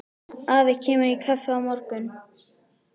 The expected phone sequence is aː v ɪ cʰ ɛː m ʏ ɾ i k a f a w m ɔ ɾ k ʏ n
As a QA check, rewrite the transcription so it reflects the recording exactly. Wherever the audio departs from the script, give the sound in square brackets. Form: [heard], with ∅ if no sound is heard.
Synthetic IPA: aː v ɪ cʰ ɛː m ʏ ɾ i [kʰ] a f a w m ɔ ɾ k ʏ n